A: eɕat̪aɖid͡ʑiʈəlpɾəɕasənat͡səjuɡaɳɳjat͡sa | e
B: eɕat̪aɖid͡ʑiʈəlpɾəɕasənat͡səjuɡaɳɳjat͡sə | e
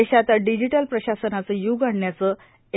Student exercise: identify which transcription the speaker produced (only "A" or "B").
B